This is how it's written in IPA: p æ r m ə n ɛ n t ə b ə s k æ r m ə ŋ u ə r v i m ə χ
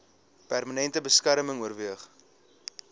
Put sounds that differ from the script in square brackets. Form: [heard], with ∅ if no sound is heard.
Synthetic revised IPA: p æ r m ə n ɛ n t ə b ə s k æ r m ə ŋ u ə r v i [∅] ə χ